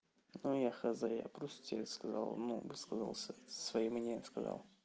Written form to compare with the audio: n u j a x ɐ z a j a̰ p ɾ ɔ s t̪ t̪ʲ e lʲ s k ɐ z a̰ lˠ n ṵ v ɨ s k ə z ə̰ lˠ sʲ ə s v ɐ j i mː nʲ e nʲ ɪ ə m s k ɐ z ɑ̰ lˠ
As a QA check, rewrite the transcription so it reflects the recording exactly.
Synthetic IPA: n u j a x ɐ z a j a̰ p ɾ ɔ s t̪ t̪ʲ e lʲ s k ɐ z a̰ lˠ n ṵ v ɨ s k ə z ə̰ lˠ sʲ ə s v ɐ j i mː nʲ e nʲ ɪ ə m s k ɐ z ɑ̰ lˠ